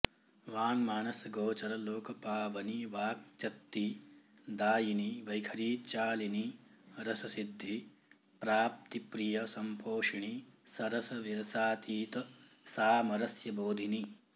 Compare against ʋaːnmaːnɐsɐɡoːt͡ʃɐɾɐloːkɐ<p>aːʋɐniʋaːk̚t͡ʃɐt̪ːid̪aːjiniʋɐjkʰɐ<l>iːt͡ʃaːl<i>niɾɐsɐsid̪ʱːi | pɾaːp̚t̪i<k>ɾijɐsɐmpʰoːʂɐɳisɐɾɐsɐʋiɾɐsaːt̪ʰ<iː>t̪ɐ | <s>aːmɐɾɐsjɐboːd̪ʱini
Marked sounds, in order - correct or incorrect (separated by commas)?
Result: correct, incorrect, correct, incorrect, correct, correct